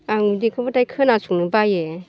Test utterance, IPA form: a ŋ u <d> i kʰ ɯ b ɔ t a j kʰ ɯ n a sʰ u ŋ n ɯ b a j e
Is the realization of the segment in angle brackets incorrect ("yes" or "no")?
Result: no